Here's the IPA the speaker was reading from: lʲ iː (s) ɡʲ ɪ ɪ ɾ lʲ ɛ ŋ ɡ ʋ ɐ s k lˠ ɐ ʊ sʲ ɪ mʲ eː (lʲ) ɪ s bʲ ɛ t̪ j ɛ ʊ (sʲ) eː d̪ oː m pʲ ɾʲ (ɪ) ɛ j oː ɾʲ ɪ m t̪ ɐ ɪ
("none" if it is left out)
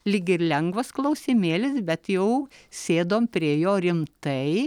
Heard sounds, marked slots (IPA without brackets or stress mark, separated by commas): none, lʲ, sʲ, i